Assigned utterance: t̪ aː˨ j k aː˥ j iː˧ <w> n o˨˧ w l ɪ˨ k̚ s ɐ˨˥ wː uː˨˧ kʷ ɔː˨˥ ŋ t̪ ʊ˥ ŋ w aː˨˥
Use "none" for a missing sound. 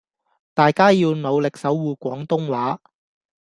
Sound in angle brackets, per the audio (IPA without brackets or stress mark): w